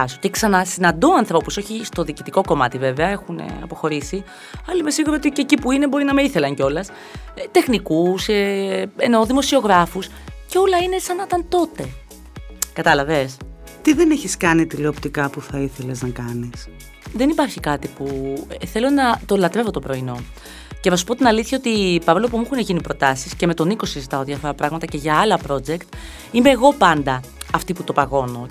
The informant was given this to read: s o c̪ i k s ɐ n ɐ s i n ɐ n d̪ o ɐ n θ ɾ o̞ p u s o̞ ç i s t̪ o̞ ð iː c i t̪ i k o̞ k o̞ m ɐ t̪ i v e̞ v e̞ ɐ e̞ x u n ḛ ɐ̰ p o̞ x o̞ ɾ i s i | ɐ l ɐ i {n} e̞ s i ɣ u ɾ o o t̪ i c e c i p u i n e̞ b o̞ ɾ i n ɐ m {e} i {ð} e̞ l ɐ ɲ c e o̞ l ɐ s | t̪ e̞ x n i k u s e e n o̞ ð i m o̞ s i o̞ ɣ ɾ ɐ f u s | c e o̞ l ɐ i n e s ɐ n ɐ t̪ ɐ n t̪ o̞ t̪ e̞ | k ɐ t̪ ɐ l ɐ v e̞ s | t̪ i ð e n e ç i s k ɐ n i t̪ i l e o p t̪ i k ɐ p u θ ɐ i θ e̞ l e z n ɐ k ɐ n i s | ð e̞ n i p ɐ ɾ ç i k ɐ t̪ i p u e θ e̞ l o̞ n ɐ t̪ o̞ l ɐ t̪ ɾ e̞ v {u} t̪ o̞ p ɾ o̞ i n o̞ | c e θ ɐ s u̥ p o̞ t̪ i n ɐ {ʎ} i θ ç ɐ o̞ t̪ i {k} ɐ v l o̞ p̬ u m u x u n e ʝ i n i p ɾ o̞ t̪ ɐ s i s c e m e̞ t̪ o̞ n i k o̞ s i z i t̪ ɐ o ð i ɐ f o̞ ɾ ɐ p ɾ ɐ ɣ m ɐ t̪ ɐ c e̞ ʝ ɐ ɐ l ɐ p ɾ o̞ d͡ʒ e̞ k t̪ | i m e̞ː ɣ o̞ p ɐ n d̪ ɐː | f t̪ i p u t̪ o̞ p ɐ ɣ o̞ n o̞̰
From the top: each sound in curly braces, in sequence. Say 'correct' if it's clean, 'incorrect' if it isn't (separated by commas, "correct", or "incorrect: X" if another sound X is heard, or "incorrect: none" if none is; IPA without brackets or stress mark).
incorrect: m, correct, incorrect: θ, incorrect: o, incorrect: l, incorrect: p